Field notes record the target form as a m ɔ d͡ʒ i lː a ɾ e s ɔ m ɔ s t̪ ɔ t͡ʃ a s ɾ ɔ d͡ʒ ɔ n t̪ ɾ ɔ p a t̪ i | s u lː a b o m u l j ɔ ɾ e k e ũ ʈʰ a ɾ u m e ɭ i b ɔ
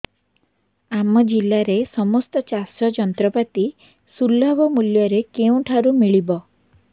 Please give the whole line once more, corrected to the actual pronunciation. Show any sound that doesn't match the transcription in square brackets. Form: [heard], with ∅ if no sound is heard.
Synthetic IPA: a m ɔ d͡ʒ i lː a ɾ e s ɔ m ɔ s t̪ ɔ t͡ʃ a s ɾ ɔ d͡ʒ ɔ n t̪ ɾ ɔ p a t̪ i | s u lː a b [ɔ] m u l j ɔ ɾ e k e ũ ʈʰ a ɾ u m [i] ɭ i b ɔ